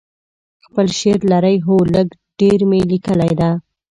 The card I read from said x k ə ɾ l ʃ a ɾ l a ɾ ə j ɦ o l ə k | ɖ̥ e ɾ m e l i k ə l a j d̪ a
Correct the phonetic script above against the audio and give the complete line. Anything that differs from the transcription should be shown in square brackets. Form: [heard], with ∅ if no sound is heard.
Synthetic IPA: x [p] ə [∅] l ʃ [e] ɾ l a ɾ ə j ɦ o l ə [ɡ] | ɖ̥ e ɾ m e l i k ə l a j d̪ a